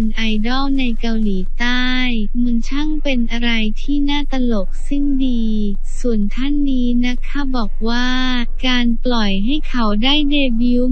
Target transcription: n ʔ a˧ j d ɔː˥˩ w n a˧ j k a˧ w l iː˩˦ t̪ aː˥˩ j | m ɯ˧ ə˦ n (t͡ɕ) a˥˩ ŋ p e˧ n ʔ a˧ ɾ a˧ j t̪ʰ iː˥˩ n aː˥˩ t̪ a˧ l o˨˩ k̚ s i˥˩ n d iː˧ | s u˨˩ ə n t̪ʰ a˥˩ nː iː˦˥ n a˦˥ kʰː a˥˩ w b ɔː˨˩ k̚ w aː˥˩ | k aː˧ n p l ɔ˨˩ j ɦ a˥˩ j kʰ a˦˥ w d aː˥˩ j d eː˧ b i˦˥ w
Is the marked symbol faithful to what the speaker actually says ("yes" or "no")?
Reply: no